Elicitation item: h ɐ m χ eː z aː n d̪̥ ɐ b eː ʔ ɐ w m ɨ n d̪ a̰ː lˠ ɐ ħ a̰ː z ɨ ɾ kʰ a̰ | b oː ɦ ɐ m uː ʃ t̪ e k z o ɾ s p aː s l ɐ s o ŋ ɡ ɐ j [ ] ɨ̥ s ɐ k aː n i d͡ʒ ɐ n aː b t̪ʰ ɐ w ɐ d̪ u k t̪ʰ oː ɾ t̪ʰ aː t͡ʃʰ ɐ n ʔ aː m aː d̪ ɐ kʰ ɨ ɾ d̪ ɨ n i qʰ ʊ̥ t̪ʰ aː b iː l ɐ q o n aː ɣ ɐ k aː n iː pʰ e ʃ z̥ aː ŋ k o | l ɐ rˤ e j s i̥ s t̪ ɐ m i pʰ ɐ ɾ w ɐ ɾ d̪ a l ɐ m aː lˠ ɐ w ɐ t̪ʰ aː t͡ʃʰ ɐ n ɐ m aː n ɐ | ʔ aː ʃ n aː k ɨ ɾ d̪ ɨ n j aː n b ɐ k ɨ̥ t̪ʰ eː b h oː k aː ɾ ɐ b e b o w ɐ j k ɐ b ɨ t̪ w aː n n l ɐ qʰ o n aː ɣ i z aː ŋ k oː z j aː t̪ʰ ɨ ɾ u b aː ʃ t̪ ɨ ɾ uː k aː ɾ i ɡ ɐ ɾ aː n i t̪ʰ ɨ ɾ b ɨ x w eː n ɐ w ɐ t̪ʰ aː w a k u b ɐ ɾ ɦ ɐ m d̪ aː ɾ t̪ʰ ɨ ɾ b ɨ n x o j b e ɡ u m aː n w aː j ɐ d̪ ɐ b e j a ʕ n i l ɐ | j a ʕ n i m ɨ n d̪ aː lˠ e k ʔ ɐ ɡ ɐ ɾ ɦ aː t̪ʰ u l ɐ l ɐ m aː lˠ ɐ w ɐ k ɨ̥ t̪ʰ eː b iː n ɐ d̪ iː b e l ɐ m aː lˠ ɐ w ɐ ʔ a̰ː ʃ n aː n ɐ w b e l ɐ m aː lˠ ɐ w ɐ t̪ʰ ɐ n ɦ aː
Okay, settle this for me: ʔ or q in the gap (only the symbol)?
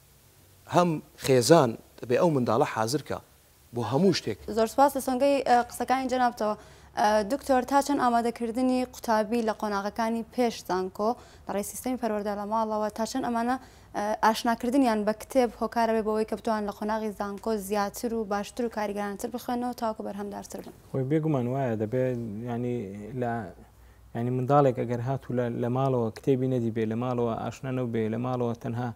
q